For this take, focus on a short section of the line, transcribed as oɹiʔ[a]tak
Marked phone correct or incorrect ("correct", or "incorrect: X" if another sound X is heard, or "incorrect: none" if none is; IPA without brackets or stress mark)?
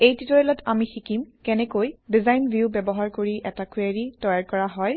incorrect: ɛ